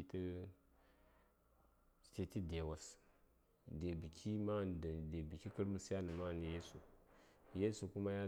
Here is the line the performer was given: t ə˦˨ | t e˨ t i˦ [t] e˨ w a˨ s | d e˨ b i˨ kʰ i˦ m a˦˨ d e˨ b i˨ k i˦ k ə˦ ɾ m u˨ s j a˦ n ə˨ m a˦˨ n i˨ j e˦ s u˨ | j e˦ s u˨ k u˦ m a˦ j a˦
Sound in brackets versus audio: incorrect: d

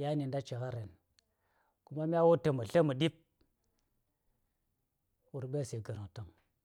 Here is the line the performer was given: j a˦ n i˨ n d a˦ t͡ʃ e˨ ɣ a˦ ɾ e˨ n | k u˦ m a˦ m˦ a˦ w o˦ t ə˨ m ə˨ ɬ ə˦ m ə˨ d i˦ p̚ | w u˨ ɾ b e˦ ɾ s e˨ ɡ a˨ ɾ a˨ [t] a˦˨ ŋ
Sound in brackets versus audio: correct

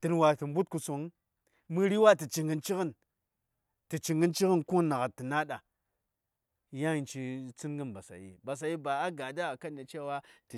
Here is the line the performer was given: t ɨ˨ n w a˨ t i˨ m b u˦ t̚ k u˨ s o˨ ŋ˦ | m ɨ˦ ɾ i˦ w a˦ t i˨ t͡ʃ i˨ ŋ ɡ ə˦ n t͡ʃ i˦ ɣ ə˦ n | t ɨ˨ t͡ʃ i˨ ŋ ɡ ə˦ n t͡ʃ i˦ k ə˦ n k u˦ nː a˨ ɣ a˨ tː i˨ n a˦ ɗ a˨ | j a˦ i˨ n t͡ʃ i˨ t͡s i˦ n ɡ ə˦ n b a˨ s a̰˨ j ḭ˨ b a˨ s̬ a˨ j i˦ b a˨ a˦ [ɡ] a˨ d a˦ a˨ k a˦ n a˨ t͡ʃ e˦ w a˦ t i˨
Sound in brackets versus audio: correct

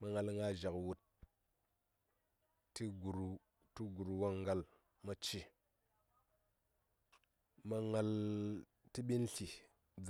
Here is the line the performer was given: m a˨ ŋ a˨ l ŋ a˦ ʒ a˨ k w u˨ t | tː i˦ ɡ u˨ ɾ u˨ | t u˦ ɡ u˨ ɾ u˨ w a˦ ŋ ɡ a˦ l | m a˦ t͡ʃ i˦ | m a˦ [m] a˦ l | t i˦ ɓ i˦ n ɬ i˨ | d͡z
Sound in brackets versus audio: incorrect: ŋ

